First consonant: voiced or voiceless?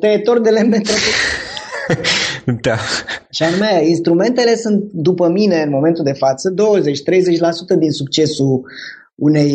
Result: voiceless